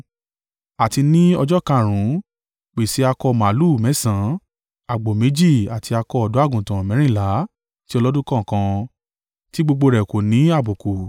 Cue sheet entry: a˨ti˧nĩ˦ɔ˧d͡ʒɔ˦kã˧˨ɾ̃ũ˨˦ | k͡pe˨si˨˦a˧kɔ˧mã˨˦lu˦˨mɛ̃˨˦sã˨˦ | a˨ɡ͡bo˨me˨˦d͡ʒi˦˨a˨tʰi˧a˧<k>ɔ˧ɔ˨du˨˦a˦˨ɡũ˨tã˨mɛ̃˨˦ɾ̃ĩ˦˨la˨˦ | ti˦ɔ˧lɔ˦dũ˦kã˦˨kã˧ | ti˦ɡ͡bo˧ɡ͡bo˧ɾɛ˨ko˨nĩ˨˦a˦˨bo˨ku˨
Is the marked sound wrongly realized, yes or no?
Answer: no